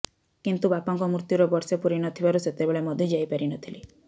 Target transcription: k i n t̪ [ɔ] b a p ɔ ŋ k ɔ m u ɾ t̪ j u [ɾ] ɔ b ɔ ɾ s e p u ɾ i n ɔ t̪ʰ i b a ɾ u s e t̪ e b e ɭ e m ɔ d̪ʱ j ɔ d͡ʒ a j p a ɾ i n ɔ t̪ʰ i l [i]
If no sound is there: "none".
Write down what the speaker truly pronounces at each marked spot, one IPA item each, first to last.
u, ɾ, i

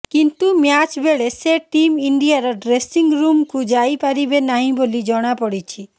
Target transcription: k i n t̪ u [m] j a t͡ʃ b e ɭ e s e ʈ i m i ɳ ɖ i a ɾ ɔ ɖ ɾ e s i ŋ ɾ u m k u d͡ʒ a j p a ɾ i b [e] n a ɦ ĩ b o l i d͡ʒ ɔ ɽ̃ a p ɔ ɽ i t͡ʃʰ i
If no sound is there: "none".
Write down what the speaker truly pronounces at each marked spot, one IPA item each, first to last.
m, e

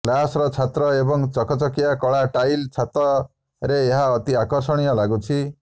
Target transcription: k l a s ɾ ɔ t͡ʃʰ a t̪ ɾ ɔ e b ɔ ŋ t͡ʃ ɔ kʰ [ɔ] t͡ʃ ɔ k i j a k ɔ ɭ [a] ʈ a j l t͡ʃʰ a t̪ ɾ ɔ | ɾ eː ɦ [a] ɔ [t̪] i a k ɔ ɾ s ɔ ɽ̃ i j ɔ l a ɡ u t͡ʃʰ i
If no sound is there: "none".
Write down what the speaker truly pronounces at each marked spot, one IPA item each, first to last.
ɔ, a, a, t̪

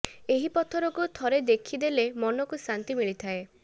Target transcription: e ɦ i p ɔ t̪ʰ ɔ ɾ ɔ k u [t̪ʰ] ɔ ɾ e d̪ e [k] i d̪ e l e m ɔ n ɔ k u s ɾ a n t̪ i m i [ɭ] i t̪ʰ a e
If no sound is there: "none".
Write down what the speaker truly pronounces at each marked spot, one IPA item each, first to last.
t̪ʰ, kʰ, ɭ

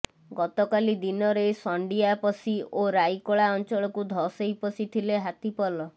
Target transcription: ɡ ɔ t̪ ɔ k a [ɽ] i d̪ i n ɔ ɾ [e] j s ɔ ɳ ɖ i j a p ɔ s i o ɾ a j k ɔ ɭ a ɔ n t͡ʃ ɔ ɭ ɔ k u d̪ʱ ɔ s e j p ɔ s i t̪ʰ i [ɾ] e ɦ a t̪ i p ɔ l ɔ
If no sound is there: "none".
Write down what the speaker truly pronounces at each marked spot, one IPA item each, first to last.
l, e, l

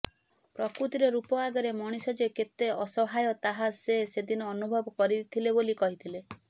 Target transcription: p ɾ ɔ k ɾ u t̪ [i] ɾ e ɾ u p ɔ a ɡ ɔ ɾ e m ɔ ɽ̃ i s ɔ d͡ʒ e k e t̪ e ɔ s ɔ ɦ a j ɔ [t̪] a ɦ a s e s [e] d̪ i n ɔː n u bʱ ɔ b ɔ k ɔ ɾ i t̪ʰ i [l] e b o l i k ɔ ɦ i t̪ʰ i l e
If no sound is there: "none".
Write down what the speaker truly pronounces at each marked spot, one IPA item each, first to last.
i, t̪, e, l

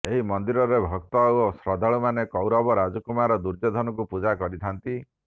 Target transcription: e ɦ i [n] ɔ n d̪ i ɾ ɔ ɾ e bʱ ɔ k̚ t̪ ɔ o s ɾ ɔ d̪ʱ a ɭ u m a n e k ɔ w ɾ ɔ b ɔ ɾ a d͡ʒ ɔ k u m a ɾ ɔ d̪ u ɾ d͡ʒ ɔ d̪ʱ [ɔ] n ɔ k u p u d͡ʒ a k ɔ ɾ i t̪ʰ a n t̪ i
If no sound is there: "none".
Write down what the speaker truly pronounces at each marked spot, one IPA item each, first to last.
m, ɔ

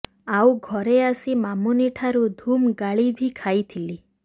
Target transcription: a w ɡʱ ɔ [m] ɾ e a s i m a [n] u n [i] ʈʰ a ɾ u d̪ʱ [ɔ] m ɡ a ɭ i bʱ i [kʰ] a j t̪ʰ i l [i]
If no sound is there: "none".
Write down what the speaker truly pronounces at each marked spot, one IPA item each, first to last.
none, m, i, u, kʰ, i

